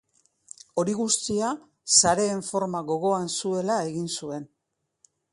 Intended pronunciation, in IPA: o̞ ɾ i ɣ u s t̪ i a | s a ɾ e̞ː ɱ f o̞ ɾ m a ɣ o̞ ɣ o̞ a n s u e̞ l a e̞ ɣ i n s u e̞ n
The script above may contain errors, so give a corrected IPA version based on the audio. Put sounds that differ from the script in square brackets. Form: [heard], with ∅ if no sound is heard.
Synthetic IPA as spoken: o̞ ɾ i ɣ u s t̪ i a | s a ɾ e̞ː ɱ f o̞ ɾ m a ɣ o̞ ɣ o̞ a n s u e̞ l a e̞ ɣ i n s u e̞ n